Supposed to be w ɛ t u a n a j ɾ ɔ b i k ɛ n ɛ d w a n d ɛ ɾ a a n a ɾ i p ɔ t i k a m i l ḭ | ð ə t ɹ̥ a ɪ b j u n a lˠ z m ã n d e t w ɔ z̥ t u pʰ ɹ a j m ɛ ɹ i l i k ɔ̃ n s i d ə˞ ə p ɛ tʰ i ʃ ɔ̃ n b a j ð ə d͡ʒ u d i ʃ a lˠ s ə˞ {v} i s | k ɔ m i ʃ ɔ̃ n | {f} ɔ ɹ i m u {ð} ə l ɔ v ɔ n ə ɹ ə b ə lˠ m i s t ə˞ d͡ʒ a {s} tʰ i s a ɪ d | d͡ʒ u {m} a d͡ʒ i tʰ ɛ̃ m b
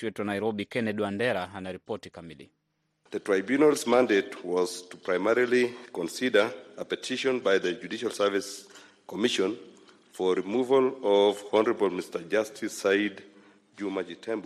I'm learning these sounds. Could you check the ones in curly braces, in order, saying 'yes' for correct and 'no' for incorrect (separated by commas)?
yes, yes, no, yes, yes